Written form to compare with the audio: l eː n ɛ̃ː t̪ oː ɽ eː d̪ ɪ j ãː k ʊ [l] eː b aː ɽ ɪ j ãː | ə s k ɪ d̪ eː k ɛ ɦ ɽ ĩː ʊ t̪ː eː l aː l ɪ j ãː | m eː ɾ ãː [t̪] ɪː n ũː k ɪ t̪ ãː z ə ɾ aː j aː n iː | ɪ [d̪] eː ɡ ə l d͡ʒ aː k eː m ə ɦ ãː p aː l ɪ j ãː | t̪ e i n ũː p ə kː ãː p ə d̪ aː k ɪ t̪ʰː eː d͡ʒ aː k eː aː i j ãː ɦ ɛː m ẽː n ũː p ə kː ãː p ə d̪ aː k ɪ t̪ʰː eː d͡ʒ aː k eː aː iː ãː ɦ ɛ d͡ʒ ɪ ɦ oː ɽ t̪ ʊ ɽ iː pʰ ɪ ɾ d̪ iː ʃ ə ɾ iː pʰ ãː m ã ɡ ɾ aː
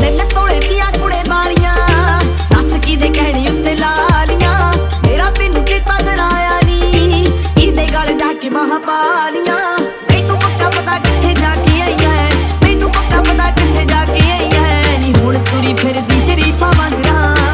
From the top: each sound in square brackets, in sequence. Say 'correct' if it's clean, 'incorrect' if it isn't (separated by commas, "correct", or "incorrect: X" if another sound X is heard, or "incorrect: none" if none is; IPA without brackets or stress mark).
incorrect: ɽ, correct, correct